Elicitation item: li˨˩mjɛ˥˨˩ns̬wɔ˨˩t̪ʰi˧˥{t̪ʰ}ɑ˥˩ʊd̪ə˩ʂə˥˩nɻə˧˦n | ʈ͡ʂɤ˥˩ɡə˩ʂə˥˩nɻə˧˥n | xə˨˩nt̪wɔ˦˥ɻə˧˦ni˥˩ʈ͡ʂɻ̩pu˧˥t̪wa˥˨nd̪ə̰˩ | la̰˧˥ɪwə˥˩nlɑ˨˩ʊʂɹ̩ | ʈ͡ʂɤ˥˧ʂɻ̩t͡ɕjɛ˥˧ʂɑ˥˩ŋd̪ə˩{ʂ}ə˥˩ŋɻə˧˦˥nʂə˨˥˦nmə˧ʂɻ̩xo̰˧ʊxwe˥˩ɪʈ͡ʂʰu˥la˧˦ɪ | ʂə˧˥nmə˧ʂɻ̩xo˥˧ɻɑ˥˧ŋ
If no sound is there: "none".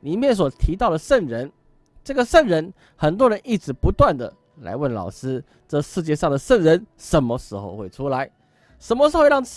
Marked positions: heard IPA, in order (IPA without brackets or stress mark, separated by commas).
t̪, ʂ